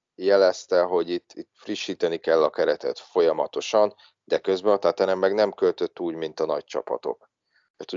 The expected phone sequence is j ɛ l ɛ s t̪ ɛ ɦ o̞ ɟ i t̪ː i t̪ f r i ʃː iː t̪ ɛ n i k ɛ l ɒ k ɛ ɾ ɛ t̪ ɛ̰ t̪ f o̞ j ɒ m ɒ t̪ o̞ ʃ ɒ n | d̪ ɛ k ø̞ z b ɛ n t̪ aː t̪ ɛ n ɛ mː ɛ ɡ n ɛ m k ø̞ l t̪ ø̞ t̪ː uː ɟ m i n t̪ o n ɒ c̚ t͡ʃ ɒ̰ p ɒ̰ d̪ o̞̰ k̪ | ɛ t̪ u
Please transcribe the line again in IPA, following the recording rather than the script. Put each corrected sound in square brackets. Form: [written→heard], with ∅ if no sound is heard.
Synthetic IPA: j ɛ l ɛ s t̪ ɛ ɦ o̞ ɟ i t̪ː i t̪ f r i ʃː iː t̪ ɛ n i k ɛ [l→lː] ɒ k ɛ ɾ ɛ t̪ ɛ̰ t̪ f o̞ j ɒ m ɒ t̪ o̞ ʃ ɒ n | d̪ ɛ k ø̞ z b ɛ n t̪ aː t̪ ɛ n ɛ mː ɛ ɡ n ɛ m k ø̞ l t̪ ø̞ t̪ː uː ɟ m i n t̪ [o→ɒ] n ɒ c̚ t͡ʃ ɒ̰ p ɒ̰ [d̪→t̪] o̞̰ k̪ | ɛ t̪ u